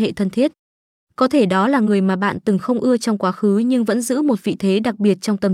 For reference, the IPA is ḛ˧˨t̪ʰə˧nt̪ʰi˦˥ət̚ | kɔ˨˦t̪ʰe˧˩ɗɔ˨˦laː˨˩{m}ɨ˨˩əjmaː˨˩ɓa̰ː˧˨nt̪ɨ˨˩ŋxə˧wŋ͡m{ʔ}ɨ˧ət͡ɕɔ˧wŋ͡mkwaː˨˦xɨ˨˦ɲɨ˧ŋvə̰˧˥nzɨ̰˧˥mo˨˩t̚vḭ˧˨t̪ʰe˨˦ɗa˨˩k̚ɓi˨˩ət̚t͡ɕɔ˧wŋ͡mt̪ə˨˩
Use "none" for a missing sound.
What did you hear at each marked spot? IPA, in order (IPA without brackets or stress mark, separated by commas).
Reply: ŋ, ʔ